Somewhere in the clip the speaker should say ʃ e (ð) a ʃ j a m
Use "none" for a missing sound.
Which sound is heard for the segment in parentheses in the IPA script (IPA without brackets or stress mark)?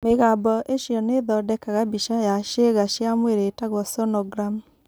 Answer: ɣ